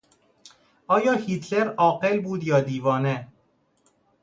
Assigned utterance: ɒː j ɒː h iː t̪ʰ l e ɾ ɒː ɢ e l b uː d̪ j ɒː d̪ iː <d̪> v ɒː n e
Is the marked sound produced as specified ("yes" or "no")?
no